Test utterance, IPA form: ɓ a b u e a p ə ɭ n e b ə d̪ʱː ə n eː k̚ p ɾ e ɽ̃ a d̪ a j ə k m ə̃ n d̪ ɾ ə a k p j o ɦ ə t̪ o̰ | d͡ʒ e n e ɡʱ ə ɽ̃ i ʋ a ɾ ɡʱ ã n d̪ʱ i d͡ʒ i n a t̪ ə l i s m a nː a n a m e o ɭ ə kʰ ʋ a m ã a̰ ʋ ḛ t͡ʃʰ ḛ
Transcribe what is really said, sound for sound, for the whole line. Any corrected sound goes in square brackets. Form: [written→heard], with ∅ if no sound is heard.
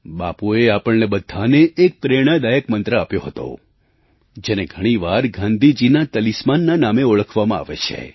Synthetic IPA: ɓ a [b→p] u e a p ə ɭ n e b ə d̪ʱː [ə→a] n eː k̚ p ɾ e ɽ̃ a d̪ a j ə k m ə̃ n [d̪→t̪] ɾ ə a [k→∅] p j o ɦ ə t̪ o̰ | d͡ʒ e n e ɡʱ ə ɽ̃ i ʋ a ɾ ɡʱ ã n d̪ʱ i d͡ʒ i n a t̪ ə l i s m a nː a n a m e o ɭ ə kʰ ʋ a m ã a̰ ʋ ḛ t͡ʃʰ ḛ